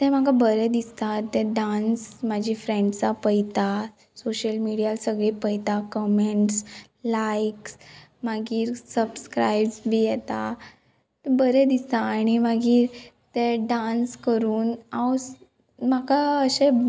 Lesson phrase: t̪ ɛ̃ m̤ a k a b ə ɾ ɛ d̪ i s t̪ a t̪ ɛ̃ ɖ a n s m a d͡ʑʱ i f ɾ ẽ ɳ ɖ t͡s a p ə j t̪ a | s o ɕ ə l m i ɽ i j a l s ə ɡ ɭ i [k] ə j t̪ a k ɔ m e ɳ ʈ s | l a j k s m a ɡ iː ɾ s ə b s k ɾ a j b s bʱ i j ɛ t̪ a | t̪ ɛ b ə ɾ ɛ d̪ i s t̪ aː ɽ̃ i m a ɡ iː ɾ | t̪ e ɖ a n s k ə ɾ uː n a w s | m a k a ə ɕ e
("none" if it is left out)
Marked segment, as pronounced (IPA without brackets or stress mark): p